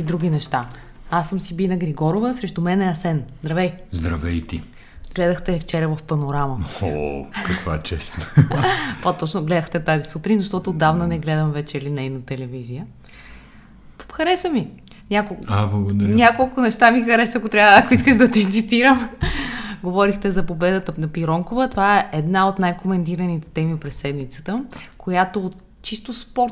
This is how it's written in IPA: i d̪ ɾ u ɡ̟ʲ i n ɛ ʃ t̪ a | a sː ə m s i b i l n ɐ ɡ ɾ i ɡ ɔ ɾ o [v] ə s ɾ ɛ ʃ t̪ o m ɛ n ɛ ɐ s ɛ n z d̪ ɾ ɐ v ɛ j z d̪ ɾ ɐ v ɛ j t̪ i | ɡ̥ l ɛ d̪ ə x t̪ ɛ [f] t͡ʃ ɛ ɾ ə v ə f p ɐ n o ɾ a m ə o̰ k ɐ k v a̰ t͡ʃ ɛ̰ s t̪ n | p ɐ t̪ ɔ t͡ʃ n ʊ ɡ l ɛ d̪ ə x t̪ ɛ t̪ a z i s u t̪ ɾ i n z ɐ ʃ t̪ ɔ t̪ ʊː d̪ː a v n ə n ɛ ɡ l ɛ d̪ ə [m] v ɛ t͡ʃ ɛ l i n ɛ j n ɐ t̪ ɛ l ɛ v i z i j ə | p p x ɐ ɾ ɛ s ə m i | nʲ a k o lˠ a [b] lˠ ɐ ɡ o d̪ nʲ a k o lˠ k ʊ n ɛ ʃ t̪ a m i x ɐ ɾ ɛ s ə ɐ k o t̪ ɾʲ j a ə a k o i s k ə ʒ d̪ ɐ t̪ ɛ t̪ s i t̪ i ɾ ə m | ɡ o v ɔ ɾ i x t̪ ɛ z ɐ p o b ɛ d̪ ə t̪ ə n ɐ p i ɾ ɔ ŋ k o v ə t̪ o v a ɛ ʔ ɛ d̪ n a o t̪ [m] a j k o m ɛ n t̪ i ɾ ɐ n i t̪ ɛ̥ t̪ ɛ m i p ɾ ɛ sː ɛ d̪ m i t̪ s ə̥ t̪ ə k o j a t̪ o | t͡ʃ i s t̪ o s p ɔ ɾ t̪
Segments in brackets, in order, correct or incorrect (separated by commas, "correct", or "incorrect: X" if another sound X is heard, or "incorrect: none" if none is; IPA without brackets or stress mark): correct, correct, correct, correct, incorrect: n